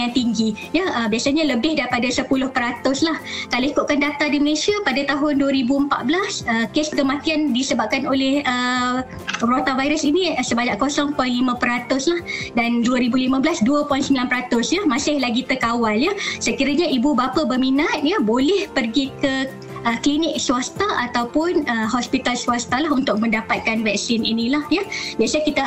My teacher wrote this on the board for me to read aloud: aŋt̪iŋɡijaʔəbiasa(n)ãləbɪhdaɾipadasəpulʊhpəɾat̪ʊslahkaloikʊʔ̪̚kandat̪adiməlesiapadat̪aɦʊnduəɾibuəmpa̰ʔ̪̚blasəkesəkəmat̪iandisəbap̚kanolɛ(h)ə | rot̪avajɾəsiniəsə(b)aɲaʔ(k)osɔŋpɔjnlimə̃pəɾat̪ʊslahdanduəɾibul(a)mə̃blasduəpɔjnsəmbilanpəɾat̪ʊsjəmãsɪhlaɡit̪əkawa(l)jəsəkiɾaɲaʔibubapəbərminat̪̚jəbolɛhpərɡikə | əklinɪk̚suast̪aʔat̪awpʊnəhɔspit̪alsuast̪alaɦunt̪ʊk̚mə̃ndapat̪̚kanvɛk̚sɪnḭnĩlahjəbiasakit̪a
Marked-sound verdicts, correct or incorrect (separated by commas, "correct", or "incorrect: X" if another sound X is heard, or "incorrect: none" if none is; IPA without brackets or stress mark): incorrect: ɲ, correct, correct, correct, incorrect: i, correct